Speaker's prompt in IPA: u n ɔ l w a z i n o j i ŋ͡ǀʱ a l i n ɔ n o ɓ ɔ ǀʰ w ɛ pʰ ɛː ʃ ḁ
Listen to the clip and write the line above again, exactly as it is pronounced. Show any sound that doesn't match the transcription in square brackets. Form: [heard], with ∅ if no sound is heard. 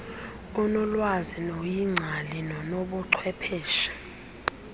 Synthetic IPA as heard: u n ɔ l w a z i n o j i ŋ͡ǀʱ a l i n ɔ n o ɓ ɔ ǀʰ w ɛ pʰ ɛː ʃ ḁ